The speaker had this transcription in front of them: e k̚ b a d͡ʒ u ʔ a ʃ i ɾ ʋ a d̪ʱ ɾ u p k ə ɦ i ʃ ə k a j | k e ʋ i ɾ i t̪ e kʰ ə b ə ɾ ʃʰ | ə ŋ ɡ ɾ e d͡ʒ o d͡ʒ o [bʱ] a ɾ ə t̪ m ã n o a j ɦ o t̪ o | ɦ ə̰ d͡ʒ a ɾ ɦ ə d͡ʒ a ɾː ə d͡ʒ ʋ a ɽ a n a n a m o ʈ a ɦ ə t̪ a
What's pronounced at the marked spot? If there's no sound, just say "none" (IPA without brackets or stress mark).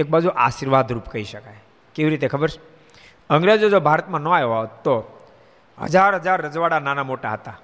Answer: bʱ